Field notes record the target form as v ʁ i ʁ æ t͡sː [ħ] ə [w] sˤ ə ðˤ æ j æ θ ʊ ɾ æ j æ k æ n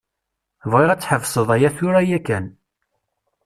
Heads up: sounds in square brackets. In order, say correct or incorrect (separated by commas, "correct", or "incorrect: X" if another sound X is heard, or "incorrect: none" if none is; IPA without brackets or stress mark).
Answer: correct, incorrect: v